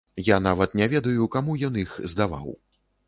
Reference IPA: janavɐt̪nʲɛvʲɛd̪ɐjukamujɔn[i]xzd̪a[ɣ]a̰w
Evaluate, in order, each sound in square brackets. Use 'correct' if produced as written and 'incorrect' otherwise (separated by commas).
correct, incorrect